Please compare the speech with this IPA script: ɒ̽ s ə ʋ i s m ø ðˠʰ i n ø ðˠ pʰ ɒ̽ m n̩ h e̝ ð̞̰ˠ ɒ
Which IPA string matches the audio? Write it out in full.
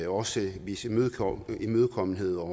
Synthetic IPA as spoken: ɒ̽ s ə ʋ i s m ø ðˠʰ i m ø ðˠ kʰ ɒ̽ m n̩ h e̝ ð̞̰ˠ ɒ